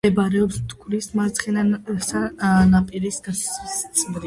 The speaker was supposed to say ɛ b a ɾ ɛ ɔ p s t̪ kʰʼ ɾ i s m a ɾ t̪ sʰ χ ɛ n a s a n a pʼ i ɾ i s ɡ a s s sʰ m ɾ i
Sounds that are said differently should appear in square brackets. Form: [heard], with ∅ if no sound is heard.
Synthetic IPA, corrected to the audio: ɛ b a ɾ ɛ ɔ p s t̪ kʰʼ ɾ i s m a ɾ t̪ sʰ χ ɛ n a s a n a pʼ i ɾ i s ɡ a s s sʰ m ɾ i